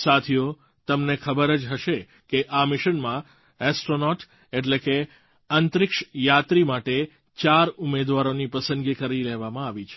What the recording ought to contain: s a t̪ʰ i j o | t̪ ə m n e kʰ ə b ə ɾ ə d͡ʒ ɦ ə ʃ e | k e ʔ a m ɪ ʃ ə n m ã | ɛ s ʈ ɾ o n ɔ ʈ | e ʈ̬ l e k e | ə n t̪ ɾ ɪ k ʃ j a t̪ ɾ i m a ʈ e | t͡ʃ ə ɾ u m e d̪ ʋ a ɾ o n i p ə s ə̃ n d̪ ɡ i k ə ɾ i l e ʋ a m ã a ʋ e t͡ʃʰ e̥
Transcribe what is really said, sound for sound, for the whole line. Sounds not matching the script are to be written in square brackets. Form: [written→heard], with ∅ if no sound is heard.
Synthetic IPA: s a t̪ʰ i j o | t̪ ə m n e kʰ ə b ə ɾ ə d͡ʒ ɦ ə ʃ e | k e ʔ a m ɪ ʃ ə n m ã | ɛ s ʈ ɾ o n ɔ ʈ | e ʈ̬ l e k e | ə n t̪ ɾ ɪ k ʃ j a t̪ ɾ i m a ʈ e | t͡ʃ [ə→a] ɾ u m e d̪ ʋ a ɾ o n i p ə s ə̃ n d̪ ɡ i k ə ɾ i l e ʋ a m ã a ʋ [e→i] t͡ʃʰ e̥